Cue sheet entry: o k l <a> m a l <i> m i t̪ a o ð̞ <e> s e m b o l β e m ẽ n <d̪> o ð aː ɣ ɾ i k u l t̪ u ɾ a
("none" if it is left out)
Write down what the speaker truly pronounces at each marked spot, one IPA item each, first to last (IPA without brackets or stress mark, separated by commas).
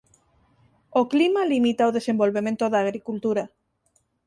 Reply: i, i, e, t̪